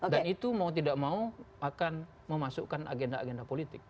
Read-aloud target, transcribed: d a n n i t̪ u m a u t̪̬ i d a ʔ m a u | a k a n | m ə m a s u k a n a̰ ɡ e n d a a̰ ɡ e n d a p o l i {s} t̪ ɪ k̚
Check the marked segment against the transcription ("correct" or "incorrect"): incorrect